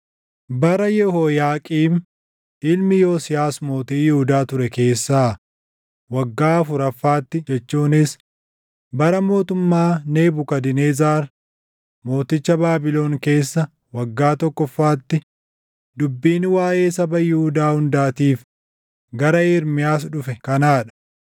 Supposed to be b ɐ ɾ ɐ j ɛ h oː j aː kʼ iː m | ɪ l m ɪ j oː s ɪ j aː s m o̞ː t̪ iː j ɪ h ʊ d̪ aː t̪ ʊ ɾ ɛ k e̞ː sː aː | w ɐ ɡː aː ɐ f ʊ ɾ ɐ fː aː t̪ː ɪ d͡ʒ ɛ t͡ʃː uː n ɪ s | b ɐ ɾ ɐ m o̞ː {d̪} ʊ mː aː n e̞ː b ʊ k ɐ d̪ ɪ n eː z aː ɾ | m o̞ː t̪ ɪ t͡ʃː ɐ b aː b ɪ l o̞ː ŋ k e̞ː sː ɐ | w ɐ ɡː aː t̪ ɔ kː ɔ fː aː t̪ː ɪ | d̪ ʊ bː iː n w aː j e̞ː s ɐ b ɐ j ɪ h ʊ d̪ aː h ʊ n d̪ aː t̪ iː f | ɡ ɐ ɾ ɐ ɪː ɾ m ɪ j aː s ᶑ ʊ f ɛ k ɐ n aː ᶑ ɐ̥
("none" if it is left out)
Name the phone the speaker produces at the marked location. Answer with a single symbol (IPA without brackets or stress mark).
t̪